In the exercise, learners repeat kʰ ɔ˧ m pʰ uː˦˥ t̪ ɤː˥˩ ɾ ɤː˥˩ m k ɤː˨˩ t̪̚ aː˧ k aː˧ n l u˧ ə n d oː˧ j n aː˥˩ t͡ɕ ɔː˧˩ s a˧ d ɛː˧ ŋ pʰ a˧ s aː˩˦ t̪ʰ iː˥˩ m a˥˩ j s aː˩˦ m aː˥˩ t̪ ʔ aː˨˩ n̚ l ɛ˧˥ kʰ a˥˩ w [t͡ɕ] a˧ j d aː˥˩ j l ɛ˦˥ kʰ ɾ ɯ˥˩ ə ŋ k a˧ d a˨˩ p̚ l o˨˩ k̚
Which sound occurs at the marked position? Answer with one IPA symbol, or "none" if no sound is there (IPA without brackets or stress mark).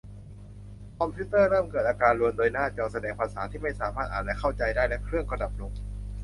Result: t͡ɕ